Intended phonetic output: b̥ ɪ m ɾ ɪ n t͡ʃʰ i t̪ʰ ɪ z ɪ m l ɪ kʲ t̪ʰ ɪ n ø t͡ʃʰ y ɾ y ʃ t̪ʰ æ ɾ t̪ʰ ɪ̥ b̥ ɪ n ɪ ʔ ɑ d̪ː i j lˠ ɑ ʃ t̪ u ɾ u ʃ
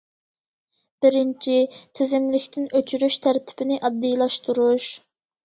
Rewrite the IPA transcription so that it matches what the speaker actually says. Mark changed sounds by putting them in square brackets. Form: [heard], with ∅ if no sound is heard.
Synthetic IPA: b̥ ɪ [∅] ɾ ɪ n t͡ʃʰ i t̪ʰ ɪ z ɪ m l ɪ kʲ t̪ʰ ɪ n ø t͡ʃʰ y ɾ y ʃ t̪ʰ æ ɾ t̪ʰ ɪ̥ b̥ ɪ n ɪ ʔ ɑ d̪ː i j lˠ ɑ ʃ t̪ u ɾ u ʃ